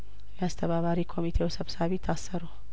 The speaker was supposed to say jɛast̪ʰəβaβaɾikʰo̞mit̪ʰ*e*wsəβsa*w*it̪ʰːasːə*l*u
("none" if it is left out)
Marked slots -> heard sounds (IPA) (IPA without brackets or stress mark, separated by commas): e, β, ɾ